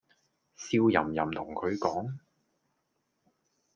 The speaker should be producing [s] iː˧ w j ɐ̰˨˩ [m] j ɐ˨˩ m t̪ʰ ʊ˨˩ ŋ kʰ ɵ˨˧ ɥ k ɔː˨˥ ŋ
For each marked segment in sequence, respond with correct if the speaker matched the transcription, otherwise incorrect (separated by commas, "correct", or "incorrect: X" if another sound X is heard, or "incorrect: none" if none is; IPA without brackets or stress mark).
correct, correct